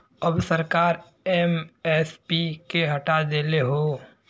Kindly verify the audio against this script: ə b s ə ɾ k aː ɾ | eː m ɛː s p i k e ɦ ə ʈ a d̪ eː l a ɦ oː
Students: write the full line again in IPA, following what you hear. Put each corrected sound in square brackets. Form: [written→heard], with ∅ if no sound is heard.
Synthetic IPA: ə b s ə ɾ k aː ɾ | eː m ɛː s p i k e ɦ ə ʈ a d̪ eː l [a→e] ɦ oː